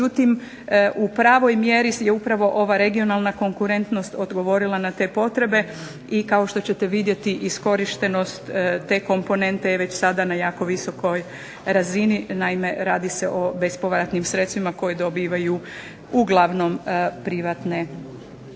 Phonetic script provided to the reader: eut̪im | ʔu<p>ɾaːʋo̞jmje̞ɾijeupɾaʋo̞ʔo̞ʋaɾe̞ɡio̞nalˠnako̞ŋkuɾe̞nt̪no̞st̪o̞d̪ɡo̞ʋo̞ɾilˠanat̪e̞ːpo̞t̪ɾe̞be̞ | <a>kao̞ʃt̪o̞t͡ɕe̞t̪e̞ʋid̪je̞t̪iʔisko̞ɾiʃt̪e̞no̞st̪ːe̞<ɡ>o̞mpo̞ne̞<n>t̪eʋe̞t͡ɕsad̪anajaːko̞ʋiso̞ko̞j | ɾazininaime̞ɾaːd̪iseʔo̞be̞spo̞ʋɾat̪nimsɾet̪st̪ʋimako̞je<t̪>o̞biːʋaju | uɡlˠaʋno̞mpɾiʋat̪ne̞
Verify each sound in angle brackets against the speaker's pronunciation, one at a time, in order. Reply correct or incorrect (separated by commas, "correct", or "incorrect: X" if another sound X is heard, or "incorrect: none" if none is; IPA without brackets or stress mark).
correct, incorrect: i, incorrect: k, correct, incorrect: d̪